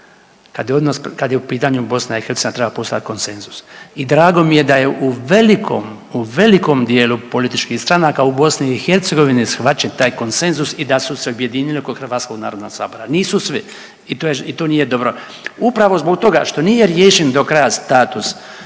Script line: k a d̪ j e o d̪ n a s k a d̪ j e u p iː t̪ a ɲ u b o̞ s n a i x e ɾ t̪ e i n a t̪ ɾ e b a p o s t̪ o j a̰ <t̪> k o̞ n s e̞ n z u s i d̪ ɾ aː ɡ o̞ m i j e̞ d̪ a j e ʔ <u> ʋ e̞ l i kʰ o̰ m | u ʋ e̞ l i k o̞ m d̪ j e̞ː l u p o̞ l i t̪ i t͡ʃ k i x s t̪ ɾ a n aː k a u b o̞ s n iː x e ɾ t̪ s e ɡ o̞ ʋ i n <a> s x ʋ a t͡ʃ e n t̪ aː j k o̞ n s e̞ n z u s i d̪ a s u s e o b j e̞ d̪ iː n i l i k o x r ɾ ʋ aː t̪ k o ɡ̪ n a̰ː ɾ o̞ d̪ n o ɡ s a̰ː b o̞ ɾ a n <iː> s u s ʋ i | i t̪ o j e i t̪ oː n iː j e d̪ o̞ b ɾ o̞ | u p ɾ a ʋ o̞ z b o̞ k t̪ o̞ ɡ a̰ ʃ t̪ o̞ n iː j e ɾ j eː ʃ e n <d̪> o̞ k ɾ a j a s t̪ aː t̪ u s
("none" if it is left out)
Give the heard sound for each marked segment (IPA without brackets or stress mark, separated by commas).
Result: t̪, u, i, iː, d̪